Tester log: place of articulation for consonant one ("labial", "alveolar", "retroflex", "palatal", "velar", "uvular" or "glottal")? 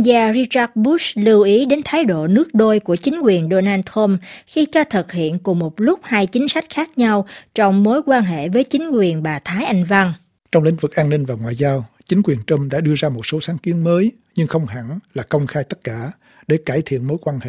alveolar